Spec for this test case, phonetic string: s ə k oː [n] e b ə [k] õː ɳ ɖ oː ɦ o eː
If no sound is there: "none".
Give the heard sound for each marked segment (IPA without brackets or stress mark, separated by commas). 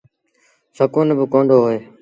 n, k